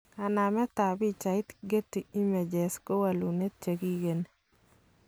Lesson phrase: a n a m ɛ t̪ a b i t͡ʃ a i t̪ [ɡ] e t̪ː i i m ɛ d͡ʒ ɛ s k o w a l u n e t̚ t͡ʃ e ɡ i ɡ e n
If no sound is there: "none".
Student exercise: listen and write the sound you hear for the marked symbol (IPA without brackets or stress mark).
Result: ɡ